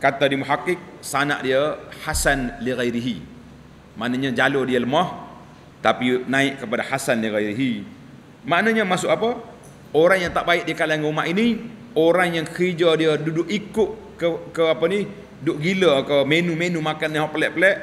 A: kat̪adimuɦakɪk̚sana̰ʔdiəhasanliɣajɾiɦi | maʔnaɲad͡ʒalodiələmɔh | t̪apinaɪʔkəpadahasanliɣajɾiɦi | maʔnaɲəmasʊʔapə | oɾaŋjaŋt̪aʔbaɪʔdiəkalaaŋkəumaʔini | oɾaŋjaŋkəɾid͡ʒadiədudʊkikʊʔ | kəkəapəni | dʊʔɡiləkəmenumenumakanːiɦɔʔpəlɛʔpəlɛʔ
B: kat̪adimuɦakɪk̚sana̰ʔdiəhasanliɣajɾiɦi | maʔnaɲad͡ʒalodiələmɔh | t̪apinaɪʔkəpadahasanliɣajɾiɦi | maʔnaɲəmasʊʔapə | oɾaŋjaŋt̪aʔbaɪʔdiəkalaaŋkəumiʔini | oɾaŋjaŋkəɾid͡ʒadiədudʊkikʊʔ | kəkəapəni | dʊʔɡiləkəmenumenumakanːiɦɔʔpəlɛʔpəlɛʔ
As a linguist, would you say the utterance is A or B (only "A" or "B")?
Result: A